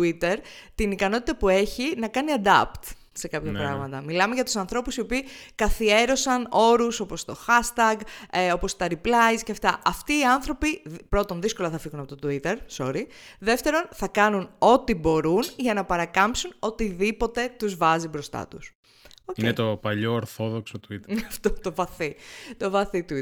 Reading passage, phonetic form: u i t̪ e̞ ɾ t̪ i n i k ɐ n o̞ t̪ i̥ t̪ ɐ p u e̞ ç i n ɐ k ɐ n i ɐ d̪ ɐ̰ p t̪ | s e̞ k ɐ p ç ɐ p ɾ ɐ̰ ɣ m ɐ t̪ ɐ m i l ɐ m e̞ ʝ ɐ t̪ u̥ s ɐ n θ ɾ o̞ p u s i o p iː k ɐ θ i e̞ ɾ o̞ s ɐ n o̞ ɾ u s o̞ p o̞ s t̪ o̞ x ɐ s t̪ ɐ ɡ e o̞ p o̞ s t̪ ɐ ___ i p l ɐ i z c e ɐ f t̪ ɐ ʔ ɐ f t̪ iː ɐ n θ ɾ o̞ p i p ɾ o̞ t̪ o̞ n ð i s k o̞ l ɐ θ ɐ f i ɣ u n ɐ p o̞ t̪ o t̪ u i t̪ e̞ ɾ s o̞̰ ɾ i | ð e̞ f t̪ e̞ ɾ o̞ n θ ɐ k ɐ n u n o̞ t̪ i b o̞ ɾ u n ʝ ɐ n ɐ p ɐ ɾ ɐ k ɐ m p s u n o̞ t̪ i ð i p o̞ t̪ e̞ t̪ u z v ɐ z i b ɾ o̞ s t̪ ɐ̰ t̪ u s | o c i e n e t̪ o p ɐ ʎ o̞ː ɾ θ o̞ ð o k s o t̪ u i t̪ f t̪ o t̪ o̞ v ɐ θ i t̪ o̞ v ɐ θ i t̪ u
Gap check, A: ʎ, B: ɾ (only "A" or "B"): B